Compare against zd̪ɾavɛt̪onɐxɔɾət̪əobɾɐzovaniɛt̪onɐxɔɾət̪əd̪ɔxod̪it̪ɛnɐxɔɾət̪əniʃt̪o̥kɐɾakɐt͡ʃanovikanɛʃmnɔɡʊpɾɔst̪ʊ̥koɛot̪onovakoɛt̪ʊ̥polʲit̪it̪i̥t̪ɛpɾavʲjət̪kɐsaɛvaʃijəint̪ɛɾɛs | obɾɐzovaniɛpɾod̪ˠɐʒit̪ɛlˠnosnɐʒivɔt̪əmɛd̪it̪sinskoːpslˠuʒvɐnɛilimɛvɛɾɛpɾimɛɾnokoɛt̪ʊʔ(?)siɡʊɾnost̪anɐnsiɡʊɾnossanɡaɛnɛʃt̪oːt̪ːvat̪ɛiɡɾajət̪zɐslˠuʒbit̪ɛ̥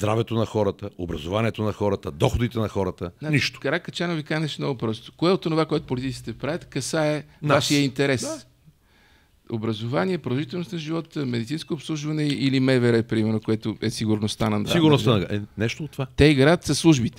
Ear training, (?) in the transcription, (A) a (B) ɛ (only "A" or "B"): B